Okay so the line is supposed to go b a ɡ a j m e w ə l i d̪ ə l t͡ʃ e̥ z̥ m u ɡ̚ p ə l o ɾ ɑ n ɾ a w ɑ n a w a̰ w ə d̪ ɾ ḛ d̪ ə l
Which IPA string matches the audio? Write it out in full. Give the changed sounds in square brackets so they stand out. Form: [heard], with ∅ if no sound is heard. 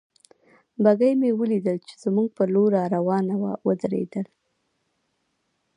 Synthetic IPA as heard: b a ɡ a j m e w ə l i d̪ ə l t͡ʃ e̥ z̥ m u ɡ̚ p ə l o ɾ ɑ [∅] ɾ a w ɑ n a w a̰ w ə d̪ ɾ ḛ d̪ ə l